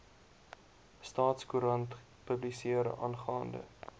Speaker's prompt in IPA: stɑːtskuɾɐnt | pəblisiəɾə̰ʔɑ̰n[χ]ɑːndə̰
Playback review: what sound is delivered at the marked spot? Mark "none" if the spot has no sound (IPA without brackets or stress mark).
χ